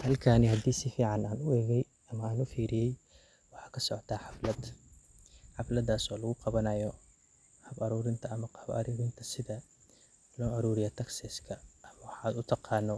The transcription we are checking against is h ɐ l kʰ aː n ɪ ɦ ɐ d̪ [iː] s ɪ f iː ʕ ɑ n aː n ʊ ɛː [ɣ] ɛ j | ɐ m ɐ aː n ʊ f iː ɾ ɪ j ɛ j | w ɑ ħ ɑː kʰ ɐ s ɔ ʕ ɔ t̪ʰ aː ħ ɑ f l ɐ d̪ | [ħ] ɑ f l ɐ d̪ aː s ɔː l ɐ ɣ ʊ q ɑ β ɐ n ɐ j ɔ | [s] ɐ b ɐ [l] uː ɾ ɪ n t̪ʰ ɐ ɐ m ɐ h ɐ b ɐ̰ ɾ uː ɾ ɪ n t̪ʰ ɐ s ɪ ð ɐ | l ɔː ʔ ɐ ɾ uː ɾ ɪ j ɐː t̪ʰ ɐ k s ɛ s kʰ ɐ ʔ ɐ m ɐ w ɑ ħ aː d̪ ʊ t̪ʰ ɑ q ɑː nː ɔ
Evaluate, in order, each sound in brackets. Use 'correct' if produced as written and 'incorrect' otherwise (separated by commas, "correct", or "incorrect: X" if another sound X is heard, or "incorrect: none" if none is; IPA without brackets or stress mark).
correct, correct, correct, incorrect: h, incorrect: ɾ